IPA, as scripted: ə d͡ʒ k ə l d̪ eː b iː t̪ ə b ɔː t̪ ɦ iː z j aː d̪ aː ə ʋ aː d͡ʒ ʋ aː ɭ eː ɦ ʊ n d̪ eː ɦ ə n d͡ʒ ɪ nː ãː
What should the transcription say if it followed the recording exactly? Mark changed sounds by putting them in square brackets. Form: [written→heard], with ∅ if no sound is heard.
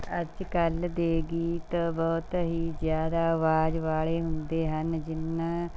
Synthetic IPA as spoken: ə d͡ʒ k ə l d̪ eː [b→ɡ] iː t̪ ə b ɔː t̪ ɦ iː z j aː d̪ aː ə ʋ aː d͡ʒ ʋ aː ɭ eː ɦ ʊ n d̪ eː ɦ ə n d͡ʒ ɪ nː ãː